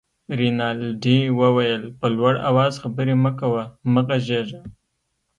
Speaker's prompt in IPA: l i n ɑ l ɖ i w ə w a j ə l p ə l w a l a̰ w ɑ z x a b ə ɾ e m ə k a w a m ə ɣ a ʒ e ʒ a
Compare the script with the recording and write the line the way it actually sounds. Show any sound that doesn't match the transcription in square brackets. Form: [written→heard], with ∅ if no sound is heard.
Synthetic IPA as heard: [l→ɾ] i n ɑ l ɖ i w ə w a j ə l p ə l w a [l→ɽ] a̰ w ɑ z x a b ə ɾ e m ə k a w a m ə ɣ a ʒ e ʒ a